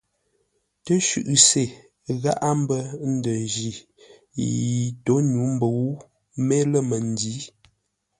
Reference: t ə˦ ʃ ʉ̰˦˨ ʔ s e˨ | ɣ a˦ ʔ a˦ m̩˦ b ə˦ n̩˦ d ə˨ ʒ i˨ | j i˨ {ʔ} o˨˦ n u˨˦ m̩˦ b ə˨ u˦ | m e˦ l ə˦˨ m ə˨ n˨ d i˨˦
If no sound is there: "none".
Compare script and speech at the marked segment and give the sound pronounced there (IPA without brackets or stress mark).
t